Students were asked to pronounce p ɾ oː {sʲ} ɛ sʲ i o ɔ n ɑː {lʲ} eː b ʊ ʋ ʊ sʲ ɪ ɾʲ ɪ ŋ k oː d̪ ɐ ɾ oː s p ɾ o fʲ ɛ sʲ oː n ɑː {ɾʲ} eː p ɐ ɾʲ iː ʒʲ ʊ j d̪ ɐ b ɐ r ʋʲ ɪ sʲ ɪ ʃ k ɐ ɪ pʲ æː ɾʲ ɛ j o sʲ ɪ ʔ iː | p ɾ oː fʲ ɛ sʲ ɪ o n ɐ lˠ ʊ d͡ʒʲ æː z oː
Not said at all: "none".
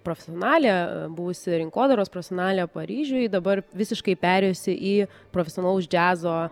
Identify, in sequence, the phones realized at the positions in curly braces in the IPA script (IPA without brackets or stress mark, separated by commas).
fʲ, lʲ, lʲ